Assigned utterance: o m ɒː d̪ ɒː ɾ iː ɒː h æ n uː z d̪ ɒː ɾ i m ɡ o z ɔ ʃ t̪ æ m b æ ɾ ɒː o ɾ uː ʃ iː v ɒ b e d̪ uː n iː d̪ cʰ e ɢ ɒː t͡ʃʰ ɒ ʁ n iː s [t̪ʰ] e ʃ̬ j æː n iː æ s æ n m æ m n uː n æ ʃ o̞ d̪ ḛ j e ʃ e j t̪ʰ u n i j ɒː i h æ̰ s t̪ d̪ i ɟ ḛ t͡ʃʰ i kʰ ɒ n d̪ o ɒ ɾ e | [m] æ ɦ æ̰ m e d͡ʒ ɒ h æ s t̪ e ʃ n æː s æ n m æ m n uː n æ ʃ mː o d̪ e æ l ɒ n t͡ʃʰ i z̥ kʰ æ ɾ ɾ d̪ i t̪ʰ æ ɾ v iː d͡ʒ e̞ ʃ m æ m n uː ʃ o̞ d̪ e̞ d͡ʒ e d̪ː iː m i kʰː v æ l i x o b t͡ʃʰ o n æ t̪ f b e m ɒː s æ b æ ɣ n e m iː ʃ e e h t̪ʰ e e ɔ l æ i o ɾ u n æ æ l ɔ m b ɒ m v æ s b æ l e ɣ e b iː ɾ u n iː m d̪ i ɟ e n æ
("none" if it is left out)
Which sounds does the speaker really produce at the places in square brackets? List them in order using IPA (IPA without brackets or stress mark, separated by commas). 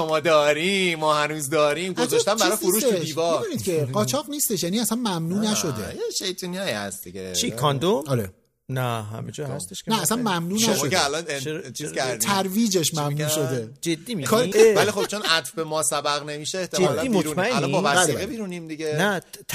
t̪, n